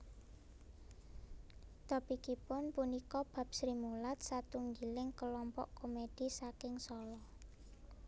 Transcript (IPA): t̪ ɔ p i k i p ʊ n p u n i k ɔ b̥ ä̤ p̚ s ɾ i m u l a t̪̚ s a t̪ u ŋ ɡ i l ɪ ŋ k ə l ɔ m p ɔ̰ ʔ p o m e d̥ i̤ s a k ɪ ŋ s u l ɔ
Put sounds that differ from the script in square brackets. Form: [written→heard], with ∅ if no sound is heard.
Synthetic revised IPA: t̪ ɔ p i k i p ʊ n p u n i k ɔ b̥ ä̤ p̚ s ɾ i m u l a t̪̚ s a t̪ u ŋ ɡ i l ɪ ŋ k ə l ɔ m p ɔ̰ ʔ [p→k] o m e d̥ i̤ s a k ɪ ŋ s [u→ɔ] l ɔ